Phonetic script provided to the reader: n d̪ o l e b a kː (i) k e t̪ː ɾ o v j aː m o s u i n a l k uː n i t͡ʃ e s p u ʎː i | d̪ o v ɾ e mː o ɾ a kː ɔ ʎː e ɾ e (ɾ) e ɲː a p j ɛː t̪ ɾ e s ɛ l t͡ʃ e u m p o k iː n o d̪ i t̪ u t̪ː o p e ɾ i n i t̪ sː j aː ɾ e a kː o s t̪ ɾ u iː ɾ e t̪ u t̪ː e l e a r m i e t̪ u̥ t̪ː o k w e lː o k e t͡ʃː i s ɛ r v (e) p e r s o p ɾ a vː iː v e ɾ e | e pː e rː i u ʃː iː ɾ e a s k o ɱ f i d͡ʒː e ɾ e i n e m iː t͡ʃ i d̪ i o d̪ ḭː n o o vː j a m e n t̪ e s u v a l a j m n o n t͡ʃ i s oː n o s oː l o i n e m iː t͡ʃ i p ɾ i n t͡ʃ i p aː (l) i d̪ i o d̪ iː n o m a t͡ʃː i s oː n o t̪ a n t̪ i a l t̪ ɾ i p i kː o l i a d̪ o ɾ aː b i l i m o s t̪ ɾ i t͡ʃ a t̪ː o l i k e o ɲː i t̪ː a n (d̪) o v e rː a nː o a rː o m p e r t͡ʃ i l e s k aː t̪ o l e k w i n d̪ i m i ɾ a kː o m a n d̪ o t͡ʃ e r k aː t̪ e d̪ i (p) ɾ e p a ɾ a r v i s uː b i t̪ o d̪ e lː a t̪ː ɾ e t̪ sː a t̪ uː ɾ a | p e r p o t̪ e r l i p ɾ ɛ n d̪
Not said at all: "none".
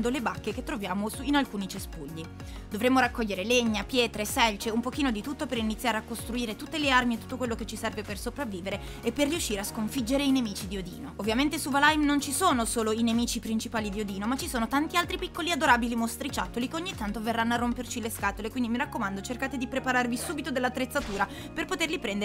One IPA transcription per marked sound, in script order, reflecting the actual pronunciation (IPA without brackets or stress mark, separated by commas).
e, l, e, l, t̪, p